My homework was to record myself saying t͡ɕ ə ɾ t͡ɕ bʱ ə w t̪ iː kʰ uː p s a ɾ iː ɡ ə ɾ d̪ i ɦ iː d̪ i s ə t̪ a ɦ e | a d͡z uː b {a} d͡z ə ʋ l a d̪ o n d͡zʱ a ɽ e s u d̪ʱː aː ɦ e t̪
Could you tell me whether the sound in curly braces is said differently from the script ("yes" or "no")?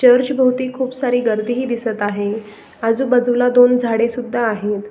yes